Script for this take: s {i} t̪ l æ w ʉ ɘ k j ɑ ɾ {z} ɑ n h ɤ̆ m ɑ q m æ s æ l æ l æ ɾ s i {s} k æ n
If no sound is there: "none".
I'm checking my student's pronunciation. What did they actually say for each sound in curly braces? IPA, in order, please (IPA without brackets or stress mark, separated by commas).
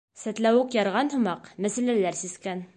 æ, ʁ, s